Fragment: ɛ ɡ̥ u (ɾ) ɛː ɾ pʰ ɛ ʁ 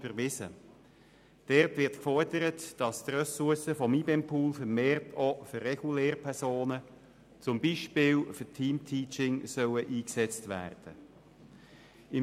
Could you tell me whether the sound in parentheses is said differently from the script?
yes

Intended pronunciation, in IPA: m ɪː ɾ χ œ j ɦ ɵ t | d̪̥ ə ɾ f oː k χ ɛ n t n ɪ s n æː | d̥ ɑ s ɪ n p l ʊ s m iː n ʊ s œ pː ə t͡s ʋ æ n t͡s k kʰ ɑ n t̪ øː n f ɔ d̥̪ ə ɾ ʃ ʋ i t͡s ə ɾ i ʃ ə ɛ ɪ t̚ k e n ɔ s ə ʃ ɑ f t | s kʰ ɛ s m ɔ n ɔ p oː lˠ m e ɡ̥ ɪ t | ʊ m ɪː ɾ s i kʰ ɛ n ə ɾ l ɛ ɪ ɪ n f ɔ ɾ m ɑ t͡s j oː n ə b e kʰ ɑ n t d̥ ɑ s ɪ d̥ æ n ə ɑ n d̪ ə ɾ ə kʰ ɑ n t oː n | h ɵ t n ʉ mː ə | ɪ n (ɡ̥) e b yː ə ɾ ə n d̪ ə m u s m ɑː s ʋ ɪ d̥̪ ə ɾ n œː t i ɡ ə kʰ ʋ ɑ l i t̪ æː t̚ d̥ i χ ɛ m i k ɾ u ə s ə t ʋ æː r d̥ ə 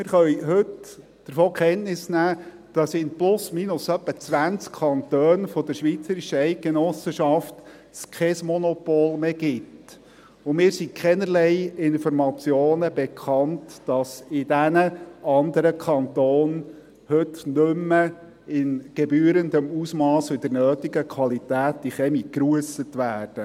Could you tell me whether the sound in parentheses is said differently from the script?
no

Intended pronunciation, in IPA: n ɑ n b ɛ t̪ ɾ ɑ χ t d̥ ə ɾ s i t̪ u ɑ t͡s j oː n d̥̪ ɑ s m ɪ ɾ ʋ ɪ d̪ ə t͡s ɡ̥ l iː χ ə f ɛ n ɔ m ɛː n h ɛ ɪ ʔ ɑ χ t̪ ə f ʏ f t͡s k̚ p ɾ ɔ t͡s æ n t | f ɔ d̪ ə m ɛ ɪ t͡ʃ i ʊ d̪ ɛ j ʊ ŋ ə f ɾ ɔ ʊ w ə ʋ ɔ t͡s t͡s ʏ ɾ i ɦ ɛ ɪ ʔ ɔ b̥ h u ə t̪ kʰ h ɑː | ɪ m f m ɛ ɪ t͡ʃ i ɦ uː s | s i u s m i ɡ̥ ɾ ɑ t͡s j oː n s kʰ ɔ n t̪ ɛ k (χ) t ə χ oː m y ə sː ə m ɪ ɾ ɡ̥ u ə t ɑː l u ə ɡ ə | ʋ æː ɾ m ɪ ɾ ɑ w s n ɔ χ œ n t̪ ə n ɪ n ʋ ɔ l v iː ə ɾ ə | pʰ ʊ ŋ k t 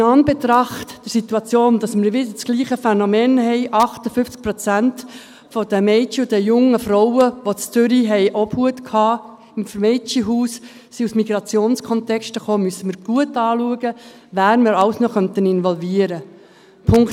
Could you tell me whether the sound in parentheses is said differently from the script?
yes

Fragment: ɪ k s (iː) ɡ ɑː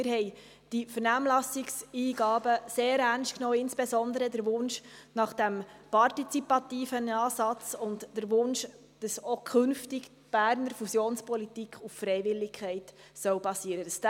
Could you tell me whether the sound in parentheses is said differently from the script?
no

